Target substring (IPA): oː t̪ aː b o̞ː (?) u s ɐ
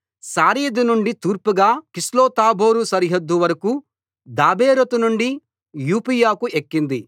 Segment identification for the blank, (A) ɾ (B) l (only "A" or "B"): A